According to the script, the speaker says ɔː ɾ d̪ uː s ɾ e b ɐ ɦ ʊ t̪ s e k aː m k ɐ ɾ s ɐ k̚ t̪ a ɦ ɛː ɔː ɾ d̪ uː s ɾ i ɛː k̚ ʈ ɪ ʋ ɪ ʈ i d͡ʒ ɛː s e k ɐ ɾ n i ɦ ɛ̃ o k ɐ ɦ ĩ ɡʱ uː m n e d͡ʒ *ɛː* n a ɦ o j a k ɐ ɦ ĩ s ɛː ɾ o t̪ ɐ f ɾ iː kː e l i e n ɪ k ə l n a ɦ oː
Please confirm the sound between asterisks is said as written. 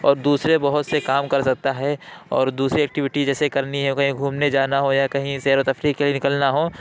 no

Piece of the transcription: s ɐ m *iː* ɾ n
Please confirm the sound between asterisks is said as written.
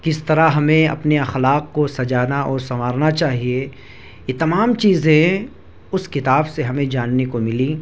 no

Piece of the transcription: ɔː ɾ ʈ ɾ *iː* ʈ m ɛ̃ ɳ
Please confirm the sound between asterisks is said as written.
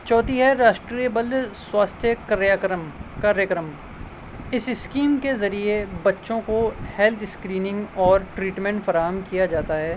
yes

